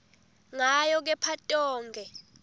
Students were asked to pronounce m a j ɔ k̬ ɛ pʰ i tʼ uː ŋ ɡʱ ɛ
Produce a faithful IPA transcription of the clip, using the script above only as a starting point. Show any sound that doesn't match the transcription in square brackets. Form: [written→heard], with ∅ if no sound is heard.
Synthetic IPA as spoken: [m→ŋ] a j ɔ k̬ ɛ pʰ [i→a] tʼ [uː→ɔː] ŋ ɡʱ ɛ